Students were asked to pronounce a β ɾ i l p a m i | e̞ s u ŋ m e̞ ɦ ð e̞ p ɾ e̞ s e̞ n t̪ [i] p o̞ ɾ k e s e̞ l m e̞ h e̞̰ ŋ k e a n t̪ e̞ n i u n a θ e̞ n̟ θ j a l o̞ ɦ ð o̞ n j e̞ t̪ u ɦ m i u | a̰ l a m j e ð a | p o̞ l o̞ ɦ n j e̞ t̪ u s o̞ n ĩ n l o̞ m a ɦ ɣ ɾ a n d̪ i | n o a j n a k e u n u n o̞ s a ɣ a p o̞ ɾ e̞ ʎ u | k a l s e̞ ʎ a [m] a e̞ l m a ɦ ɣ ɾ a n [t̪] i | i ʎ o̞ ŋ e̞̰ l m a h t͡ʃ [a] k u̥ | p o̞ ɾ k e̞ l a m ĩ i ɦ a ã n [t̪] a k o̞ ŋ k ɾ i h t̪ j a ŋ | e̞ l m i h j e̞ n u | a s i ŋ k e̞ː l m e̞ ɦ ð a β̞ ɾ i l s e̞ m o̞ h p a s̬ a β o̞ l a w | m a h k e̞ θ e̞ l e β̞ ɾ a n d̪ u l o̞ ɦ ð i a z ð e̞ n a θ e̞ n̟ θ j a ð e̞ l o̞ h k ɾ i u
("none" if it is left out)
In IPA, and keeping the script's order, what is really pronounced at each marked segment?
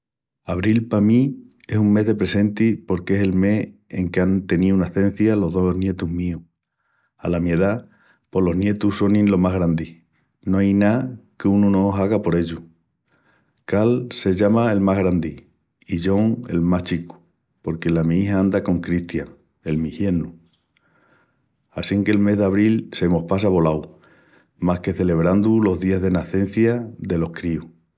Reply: i, m, d̪, i, d̪

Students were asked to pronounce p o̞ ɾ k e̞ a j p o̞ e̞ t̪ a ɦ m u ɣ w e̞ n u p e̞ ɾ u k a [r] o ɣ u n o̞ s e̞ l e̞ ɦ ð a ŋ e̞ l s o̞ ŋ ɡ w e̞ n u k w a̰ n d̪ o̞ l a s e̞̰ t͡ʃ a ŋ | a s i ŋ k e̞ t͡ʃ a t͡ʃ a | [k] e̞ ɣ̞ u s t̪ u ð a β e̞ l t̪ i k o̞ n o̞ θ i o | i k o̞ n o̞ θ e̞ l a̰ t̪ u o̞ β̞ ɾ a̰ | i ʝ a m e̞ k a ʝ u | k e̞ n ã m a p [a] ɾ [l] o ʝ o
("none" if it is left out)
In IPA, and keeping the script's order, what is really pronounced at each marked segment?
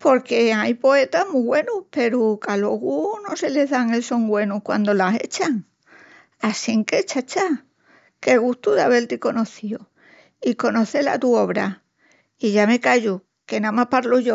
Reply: l, k, a, l

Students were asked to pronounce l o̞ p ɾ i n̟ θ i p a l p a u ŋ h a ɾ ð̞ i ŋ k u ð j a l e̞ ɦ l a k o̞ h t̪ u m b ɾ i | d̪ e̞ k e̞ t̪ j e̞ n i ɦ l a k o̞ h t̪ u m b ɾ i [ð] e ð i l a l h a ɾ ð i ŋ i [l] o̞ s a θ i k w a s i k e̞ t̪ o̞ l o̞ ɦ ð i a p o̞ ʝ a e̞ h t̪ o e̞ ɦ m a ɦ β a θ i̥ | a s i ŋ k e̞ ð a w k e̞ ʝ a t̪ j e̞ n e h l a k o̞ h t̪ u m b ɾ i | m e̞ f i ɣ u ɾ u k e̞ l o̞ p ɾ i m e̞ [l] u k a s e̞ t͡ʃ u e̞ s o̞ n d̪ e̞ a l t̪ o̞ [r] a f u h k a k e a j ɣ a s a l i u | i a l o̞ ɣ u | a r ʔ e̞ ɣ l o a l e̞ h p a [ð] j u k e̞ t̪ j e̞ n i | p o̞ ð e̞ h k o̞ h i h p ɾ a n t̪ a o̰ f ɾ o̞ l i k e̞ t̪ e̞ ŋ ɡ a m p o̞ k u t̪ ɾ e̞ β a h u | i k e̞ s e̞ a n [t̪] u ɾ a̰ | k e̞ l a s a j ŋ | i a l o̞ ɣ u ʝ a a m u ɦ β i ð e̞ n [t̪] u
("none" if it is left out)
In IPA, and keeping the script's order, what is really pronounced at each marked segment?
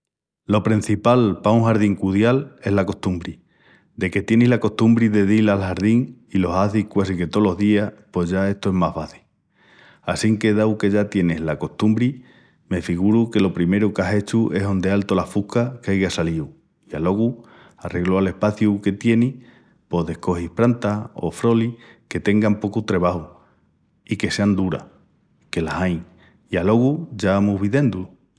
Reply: ð, l, ɾ, l, θ, d̪, d̪

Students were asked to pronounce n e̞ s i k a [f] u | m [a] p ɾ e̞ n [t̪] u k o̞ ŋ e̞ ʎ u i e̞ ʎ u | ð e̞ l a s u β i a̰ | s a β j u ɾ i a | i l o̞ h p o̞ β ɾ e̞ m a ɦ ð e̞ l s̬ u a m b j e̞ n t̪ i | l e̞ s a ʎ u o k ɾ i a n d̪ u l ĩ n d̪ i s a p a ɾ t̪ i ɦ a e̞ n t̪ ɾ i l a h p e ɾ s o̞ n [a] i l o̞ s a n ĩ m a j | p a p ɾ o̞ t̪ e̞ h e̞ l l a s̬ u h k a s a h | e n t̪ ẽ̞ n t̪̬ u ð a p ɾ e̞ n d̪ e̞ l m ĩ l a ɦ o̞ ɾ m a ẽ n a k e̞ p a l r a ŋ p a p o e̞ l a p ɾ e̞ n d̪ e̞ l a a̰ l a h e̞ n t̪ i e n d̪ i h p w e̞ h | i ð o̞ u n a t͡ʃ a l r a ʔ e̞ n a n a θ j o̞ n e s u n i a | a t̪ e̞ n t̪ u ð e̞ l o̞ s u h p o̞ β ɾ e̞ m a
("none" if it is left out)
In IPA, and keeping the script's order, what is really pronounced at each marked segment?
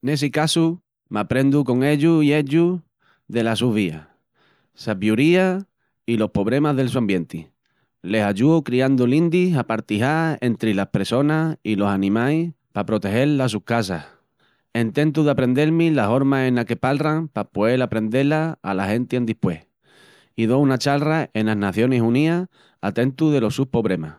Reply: s, a, d̪, a

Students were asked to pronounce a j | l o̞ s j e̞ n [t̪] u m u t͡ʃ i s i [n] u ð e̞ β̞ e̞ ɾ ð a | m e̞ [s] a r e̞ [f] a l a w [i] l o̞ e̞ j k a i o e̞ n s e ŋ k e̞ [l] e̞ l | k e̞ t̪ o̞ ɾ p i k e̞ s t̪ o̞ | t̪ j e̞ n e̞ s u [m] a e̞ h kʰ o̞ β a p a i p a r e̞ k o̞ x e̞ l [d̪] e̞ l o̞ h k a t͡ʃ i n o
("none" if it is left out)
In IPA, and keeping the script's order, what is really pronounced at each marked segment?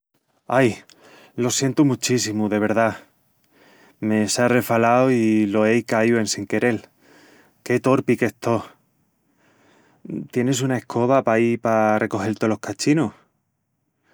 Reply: t̪, m, s, f, i, ɾ, n, t̪

